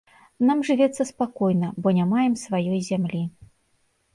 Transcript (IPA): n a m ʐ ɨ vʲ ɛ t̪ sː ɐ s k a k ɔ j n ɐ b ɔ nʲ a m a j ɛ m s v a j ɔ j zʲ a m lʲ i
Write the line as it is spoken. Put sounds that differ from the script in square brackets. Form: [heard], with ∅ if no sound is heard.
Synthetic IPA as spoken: n a m ʐ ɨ vʲ ɛ t̪ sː ɐ s [p] a k ɔ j n ɐ b ɔ nʲ a m a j ɛ m s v a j ɔ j zʲ a m lʲ i

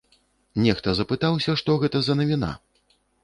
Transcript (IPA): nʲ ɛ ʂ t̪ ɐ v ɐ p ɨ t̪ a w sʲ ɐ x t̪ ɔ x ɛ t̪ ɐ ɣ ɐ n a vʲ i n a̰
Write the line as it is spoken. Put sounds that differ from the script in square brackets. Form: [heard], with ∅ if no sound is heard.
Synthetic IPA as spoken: nʲ ɛ [x] t̪ ɐ [z] ɐ p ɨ t̪ a w sʲ ɐ [ʂ] t̪ ɔ [ɣ] ɛ t̪ ɐ [z] ɐ n [ɐ] vʲ i n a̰

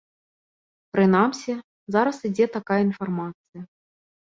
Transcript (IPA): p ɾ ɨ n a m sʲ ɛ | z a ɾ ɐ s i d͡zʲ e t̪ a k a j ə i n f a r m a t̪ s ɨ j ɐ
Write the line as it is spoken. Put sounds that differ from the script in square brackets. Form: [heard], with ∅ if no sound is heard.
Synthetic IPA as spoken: p ɾ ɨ n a m sʲ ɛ | z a ɾ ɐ s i d͡zʲ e t̪ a k a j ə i n f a r m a t̪ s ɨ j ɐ

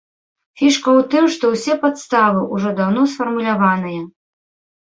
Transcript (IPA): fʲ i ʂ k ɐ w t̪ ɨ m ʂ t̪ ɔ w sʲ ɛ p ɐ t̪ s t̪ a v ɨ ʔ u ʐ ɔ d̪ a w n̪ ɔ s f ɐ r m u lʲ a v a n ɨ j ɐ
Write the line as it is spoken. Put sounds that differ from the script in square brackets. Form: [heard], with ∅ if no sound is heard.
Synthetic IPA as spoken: fʲ i ʂ k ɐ w t̪ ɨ m ʂ t̪ ɔ w sʲ ɛ p [a] t̪ s t̪ a v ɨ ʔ u ʐ ɔ d̪ a w n̪ ɔ s f ɐ r m u lʲ a v a n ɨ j ɐ

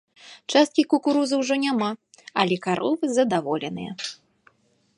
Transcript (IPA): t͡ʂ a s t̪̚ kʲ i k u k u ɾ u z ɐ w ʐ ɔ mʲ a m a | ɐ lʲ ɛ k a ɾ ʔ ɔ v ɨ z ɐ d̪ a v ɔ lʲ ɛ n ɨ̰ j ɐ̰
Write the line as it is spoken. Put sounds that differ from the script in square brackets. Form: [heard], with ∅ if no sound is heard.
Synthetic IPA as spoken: t͡ʂ a s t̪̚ kʲ i k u k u ɾ u z ɐ w ʐ ɔ [nʲ] a m a | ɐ lʲ ɛ k a ɾ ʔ ɔ v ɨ z ɐ d̪ a v ɔ lʲ ɛ n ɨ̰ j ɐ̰

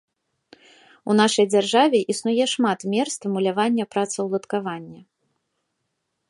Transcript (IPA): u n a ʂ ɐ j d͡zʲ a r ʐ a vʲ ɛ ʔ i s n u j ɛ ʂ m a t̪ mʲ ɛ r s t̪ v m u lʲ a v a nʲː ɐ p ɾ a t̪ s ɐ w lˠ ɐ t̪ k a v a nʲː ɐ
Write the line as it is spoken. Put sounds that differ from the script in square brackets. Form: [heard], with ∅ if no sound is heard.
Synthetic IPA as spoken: u n a ʂ ɐ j d͡zʲ a r ʐ a vʲ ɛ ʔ i s n u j ɛ ʂ m a t̪ mʲ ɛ r s t̪ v m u lʲ a v a nʲː ɐ p ɾ a t̪ s ɐ w lˠ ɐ t̪ k a v a nʲː ɐ

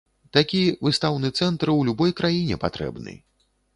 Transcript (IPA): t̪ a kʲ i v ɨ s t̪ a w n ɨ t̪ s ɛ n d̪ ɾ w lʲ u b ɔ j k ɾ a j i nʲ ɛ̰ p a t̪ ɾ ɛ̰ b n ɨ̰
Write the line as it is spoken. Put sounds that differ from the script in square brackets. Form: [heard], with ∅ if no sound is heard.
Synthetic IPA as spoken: t̪ a kʲ i v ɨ s t̪ a w n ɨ t̪ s ɛ n [t̪] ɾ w lʲ u b ɔ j k ɾ a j i nʲ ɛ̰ p a t̪ ɾ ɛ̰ b n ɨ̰

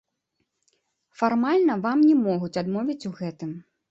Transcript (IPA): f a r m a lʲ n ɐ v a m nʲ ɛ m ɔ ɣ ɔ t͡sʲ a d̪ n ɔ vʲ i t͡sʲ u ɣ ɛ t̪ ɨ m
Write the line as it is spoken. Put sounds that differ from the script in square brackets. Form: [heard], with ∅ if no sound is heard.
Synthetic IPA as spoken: f a r m a lʲ n ɐ v a m nʲ ɛ m ɔ ɣ [u] t͡sʲ a d̪ [m] ɔ vʲ i t͡sʲ u ɣ ɛ t̪ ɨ m

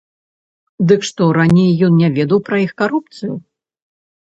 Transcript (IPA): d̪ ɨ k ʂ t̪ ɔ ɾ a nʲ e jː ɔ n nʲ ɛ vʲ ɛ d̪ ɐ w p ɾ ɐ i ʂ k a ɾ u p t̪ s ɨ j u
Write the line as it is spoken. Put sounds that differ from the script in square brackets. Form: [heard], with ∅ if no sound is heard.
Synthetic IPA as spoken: d̪ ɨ k ʂ t̪ ɔ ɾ a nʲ e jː ɔ n nʲ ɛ vʲ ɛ d̪ ɐ w p ɾ ɐ i [x] k a ɾ u p t̪ s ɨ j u

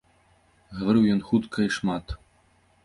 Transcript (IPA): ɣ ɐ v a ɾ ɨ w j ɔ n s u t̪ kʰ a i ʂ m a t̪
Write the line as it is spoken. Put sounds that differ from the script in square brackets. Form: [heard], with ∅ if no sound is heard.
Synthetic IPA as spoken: ɣ ɐ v a ɾ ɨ w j ɔ n [x] u t̪ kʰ [ɐ] i ʂ m a t̪

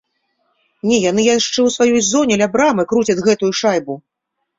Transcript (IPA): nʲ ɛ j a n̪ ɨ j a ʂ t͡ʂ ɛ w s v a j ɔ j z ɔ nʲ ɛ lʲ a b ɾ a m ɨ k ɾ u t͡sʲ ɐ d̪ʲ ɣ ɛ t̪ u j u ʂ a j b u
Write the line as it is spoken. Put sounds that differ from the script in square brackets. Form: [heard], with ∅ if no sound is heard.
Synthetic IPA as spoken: nʲ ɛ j a n̪ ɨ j a ʂ t͡ʂ ɛ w s v a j ɔ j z ɔ nʲ ɛ lʲ a b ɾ a m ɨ k ɾ u t͡sʲ ɐ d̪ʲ ɣ ɛ t̪ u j u ʂ a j b u

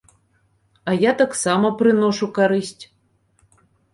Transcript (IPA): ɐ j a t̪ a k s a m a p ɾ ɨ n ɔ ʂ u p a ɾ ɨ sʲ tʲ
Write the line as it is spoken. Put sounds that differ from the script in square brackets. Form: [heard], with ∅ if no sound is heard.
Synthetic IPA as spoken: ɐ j a t̪ a k s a m [ɐ] p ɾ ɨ n ɔ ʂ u [k] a ɾ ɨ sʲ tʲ

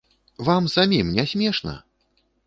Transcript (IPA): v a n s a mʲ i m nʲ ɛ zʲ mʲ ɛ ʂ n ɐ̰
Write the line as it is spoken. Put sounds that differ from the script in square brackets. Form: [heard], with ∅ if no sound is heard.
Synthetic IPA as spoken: v a [m] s a mʲ i m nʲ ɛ [sʲ] mʲ ɛ ʂ n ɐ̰

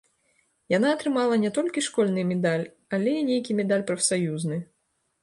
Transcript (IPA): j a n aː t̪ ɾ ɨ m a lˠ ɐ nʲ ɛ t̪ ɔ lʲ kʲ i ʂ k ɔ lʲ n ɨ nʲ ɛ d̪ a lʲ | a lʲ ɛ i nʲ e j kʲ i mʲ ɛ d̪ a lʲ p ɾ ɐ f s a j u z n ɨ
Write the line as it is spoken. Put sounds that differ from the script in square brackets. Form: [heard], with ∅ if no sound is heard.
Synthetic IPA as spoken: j a n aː t̪ ɾ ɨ m a lˠ ɐ nʲ ɛ t̪ ɔ lʲ kʲ i ʂ k ɔ lʲ n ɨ [mʲ] ɛ d̪ a lʲ | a lʲ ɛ i nʲ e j kʲ i mʲ ɛ d̪ a lʲ p ɾ ɐ f s a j u z n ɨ

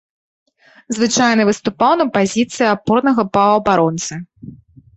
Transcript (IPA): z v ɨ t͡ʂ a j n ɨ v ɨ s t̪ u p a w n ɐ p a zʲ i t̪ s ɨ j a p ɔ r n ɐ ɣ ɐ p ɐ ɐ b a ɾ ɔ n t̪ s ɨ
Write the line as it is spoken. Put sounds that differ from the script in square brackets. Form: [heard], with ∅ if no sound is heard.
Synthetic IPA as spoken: z v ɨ t͡ʂ a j n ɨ v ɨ s t̪ u p a w n ɐ p a zʲ i t̪ s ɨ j a p ɔ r n ɐ ɣ ɐ p ɐ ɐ b a ɾ ɔ n t̪ s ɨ

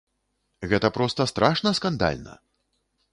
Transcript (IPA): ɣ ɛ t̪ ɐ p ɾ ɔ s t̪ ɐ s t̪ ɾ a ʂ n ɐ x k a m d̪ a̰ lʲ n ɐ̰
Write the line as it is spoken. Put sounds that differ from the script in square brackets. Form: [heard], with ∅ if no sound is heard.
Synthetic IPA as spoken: ɣ ɛ t̪ ɐ p ɾ ɔ s t̪ ɐ s t̪ ɾ a ʂ n ɐ [s] k a [n] d̪ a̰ lʲ n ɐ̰

